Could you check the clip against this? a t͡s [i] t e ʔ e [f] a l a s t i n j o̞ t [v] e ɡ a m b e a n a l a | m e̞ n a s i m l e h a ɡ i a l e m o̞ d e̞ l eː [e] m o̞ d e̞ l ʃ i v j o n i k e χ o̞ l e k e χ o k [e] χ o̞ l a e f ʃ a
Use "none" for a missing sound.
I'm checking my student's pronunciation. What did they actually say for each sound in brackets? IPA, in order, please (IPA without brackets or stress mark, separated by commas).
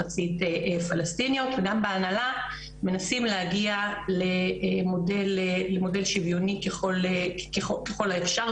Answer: i, f, v, e, e